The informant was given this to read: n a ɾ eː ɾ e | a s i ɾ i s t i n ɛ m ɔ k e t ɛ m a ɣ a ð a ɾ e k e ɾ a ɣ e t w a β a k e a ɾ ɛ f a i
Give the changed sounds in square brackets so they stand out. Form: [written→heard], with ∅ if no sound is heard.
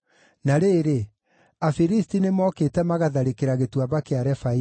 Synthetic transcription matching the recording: n a ɾ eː ɾ e | a [s→f] i ɾ i s t i n [ɛ→e] m ɔ k e t ɛ m a ɣ a ð a ɾ e k e ɾ a ɣ e t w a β a k e a ɾ ɛ f a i